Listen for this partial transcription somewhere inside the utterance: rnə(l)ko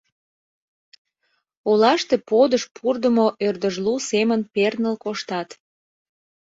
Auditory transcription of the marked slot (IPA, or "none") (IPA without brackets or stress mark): l